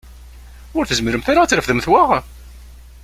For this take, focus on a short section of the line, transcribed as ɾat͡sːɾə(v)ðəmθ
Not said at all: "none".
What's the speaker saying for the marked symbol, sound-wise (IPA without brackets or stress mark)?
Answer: f